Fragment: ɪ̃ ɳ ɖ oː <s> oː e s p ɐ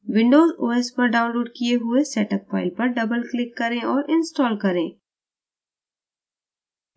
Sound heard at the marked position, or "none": z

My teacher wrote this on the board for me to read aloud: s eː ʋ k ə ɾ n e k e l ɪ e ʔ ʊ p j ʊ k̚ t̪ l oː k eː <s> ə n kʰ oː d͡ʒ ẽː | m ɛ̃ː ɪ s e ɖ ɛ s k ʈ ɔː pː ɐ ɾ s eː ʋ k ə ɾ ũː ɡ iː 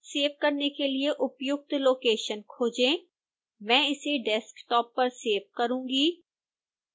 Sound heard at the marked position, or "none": ʃ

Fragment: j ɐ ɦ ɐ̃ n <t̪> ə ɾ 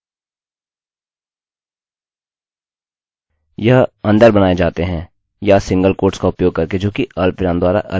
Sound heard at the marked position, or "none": d̪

